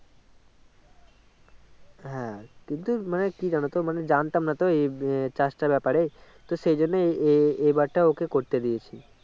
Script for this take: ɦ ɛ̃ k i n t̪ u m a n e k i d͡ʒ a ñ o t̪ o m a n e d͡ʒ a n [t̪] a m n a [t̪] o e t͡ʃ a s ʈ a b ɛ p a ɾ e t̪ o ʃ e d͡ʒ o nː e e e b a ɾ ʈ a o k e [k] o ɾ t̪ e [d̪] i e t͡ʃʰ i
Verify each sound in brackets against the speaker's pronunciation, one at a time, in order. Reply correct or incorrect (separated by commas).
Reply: correct, correct, correct, correct